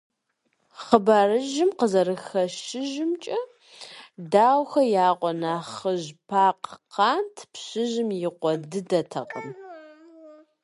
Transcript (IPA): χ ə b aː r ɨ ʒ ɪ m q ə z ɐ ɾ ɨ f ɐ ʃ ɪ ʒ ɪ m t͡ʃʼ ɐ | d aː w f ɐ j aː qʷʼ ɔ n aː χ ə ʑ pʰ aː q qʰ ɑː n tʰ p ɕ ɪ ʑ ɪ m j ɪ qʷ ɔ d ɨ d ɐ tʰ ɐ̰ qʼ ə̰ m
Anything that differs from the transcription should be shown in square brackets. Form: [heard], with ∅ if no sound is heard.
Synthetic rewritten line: χ ə b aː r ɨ ʒ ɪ m q ə z ɐ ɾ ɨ [x] ɐ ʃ ɪ ʒ ɪ m t͡ʃʼ ɐ | d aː w [x] ɐ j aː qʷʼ ɔ n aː χ ə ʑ pʰ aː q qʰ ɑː n tʰ p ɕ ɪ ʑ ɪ m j ɪ qʷ ɔ d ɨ d ɐ tʰ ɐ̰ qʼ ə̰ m

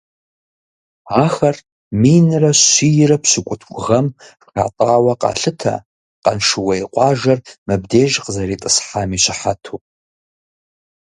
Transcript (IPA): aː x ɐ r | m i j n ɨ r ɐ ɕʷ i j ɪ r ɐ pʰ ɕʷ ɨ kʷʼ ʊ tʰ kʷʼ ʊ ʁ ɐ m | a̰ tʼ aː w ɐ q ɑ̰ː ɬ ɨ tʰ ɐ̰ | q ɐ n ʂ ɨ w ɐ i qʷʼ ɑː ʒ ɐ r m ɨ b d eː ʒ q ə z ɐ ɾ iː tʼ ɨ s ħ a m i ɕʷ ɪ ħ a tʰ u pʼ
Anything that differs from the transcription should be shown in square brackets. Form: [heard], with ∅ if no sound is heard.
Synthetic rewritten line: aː x ɐ r | m i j n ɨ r ɐ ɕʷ i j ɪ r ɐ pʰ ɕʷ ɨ kʷʼ ʊ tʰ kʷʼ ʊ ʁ ɐ m | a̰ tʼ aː w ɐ q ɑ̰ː ɬ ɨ tʰ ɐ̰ | q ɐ n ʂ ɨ w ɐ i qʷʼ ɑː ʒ ɐ r m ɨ b d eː ʒ q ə z ɐ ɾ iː tʼ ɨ s ħ a m i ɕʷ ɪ ħ a tʰ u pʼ

